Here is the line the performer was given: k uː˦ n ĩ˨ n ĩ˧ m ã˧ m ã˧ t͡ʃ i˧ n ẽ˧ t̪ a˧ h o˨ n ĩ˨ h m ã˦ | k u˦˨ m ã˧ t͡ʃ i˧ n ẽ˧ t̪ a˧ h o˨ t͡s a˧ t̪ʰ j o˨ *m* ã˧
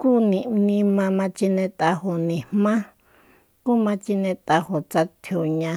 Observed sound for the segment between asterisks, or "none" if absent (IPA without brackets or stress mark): ɲ